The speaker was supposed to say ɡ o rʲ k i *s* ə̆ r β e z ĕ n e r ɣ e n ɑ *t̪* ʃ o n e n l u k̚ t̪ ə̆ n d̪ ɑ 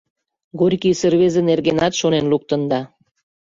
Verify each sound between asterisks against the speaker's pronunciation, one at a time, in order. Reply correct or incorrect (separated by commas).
correct, correct